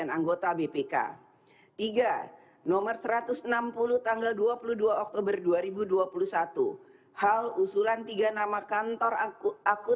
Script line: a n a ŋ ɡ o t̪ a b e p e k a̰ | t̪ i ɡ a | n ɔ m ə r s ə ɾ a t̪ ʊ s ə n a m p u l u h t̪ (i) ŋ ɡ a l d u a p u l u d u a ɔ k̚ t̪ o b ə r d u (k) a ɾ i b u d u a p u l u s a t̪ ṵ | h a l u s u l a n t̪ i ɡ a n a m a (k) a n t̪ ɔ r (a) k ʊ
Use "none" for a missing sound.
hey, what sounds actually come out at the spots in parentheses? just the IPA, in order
a, none, k, a

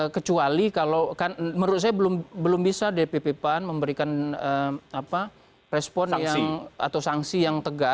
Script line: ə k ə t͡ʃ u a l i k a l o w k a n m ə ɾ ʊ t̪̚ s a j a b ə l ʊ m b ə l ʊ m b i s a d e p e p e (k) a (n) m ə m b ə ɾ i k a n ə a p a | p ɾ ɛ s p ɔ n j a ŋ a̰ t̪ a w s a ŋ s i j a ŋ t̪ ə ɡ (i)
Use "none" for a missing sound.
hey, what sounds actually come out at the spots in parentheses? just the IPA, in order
p, n, a

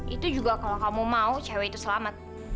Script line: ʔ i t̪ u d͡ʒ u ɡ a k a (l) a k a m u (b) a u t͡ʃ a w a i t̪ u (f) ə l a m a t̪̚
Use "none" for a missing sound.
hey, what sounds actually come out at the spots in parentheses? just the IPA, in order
l, m, s

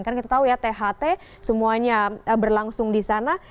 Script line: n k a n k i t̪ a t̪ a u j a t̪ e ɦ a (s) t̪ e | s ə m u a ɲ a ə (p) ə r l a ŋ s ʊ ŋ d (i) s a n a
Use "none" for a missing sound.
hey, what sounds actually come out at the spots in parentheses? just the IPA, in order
none, b, i

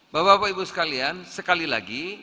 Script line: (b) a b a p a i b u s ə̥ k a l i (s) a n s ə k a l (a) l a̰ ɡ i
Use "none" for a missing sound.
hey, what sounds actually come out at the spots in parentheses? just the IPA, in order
b, none, i

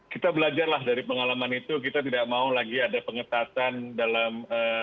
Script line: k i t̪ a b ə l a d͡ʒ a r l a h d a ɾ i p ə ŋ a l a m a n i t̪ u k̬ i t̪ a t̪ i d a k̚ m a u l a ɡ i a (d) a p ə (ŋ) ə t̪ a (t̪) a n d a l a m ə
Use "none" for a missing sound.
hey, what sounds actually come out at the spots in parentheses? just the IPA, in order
d, ŋ, t̪

